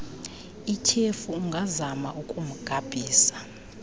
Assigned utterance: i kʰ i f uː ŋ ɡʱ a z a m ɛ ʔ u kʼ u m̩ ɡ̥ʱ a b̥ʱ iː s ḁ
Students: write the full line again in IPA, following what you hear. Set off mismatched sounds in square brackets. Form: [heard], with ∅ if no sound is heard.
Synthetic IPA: i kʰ [e] f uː ŋ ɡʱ a z a m [a] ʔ u kʼ u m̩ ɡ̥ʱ a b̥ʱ iː s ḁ

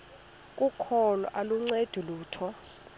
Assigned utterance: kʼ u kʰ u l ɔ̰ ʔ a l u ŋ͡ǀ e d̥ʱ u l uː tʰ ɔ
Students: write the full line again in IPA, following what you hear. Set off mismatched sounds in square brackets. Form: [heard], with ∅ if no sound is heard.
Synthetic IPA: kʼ u kʰ [ɔ] l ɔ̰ ʔ a l u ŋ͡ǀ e d̥ʱ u l uː tʰ ɔ

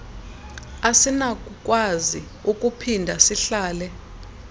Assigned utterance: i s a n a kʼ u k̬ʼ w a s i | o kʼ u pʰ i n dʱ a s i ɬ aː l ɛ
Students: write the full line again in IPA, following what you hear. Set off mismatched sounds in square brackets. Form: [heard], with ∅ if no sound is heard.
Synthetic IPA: [a] s [i] n a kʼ u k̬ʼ w a [z] i | [u] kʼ u pʰ i n dʱ a s i ɬ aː l ɛ

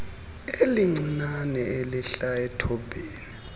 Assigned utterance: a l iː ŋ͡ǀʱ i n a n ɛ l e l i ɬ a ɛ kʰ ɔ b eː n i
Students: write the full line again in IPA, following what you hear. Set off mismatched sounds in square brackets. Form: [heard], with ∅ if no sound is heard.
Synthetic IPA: [e] l [i] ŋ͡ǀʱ i n a n ɛ [∅] e l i ɬ a ɛ [tʰ] ɔ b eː n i

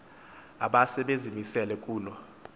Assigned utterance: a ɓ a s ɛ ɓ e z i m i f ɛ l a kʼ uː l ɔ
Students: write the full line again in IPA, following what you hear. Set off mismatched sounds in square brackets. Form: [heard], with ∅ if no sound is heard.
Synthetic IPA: a ɓ a s ɛ ɓ e z i m i [s] ɛ l [ɛ] kʼ uː l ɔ

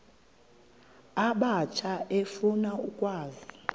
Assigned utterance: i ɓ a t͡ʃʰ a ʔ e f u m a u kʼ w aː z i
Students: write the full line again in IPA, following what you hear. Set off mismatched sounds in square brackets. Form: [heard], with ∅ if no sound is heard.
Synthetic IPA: [a] ɓ a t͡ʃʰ a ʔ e f u [n] a u kʼ w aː z i

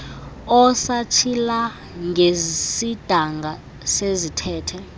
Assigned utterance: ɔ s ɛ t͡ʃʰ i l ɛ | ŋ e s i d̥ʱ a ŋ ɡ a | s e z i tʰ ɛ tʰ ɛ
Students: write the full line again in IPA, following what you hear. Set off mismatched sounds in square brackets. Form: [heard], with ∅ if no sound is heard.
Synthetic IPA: ɔ s [a] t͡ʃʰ i l [a] | ŋ e s i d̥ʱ a ŋ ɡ a | s e z i tʰ [ɛː] tʰ ɛ

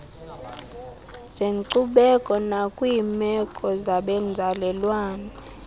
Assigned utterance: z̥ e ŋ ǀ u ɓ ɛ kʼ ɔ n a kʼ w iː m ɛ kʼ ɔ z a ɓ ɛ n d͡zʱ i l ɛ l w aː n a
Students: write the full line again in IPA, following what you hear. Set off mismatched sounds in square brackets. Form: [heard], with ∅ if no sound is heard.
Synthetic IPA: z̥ e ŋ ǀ u ɓ ɛ kʼ ɔ n a kʼ w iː m ɛ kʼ ɔ z a ɓ ɛ n d͡zʱ [a] l ɛ l w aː n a

